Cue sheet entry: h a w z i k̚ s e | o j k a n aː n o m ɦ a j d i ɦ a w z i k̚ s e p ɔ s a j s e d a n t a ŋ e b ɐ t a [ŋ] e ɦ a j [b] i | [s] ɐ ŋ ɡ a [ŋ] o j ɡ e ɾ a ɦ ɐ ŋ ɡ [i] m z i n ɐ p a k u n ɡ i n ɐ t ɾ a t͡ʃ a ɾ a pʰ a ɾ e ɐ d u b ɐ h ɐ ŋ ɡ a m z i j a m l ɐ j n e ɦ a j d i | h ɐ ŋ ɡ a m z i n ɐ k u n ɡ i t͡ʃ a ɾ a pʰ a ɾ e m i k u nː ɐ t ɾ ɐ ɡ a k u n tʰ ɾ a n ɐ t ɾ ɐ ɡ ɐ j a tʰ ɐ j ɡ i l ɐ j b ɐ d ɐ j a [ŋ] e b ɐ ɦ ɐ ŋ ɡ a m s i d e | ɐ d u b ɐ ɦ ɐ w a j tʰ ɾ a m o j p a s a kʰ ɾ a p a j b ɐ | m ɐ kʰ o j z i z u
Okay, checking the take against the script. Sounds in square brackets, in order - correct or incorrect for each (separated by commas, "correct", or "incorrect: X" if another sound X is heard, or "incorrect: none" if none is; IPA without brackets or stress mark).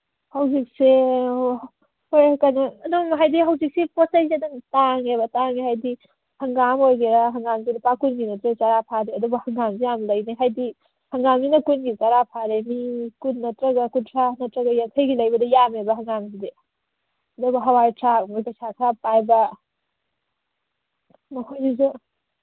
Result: correct, incorrect: d, incorrect: h, incorrect: m, incorrect: a, incorrect: m